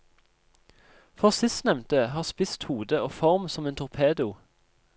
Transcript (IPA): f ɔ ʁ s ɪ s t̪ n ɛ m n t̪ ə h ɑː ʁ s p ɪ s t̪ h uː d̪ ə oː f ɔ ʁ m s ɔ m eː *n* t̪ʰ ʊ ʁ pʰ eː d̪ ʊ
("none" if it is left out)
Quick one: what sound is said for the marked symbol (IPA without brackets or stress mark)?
n